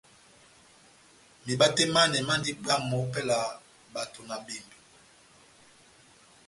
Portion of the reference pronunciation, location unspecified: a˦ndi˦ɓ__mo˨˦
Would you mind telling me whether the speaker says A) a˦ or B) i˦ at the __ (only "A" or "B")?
A